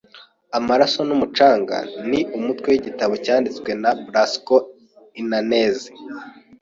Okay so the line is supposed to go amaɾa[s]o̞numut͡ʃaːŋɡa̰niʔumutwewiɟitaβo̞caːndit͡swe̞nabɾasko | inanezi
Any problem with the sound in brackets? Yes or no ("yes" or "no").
no